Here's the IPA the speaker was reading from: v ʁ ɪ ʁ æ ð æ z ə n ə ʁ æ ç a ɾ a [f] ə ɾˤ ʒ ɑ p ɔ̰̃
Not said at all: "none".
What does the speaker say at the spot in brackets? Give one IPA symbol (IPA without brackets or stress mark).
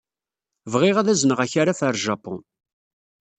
f